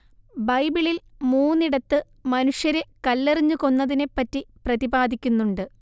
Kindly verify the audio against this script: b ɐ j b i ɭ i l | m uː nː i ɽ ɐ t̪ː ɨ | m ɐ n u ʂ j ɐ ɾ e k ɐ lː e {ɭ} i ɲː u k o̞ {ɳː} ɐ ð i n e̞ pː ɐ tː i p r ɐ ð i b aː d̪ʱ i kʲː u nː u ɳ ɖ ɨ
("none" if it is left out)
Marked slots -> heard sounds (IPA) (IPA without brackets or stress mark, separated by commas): r, nː